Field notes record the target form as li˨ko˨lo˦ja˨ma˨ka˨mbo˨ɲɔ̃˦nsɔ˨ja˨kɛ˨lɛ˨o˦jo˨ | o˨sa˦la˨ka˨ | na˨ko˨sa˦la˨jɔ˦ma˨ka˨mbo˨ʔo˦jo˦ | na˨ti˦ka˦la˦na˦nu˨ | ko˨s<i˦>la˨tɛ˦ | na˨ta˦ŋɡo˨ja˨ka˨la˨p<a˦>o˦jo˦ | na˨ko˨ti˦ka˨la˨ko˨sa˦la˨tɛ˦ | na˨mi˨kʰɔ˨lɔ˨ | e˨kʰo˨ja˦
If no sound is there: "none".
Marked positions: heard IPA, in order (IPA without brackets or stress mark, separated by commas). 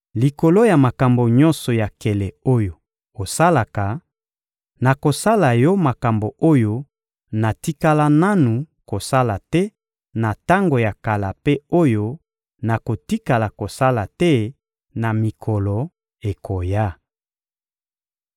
a˦, e˦